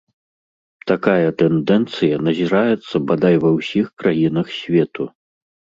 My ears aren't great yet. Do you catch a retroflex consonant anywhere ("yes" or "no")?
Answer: no